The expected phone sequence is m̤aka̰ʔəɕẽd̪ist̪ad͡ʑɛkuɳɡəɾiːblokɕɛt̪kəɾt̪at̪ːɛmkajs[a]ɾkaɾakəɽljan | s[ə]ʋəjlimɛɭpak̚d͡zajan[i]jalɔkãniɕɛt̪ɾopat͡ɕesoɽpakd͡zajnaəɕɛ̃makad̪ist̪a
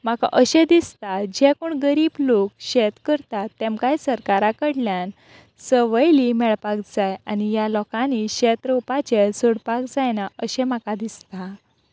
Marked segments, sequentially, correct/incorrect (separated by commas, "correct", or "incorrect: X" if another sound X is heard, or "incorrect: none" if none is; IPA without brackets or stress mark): incorrect: ə, correct, correct